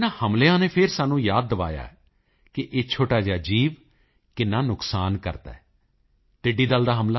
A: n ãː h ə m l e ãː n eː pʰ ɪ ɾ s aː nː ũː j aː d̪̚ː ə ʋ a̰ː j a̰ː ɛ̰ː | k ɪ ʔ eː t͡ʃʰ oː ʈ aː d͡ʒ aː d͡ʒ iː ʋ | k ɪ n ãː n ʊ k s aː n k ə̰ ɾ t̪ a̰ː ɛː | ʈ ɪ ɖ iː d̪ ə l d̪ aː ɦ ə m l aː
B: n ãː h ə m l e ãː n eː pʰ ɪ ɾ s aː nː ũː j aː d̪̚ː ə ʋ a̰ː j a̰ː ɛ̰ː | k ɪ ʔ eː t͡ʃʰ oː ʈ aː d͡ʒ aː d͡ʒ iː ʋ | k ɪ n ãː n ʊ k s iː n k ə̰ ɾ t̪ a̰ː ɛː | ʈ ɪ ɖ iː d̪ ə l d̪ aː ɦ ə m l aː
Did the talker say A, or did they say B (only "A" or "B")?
A